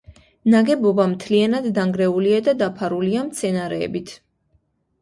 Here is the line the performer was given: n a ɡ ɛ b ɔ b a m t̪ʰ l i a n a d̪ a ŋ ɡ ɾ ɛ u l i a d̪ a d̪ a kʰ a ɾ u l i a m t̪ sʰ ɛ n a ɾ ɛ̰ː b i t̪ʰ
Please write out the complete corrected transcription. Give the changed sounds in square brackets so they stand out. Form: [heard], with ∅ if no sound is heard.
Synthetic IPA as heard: n a ɡ ɛ b ɔ b a m t̪ʰ l i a n a [d̪ː] a ŋ ɡ ɾ ɛ u l i a d̪ a d̪ a [pʰ] a ɾ u l i a m t̪ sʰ ɛ n a ɾ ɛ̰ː b i t̪ʰ